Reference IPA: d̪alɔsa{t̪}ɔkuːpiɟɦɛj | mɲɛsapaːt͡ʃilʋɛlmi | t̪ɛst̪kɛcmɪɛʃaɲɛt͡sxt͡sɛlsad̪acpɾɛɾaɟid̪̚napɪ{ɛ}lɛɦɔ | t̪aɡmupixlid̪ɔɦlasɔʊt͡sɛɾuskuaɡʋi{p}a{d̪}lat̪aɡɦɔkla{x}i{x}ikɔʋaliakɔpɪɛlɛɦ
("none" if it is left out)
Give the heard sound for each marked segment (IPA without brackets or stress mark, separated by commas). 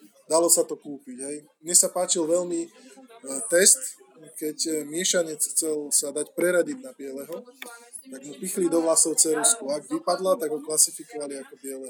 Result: t̪, ɛ, p, d̪, s, f